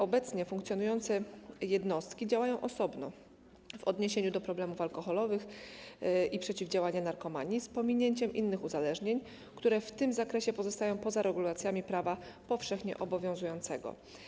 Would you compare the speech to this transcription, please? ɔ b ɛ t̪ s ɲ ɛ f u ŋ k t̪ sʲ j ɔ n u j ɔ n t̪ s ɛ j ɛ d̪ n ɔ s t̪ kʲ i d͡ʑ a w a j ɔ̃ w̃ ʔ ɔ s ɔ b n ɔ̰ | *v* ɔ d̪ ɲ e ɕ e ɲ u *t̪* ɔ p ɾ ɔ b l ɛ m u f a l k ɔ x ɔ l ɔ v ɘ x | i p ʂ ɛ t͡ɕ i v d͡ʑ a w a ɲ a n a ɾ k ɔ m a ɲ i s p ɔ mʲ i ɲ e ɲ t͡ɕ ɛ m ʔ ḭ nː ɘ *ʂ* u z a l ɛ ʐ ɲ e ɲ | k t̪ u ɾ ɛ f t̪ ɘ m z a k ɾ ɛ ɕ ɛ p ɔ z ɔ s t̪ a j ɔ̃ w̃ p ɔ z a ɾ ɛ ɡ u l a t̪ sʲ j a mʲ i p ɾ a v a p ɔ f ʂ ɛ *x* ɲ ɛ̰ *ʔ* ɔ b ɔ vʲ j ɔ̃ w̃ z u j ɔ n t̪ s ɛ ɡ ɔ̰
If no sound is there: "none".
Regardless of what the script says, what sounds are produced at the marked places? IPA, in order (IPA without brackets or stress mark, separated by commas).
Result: v, d̪, x, x, ʔ